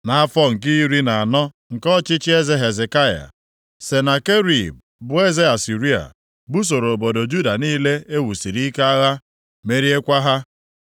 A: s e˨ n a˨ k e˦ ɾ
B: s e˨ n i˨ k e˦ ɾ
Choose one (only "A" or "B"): A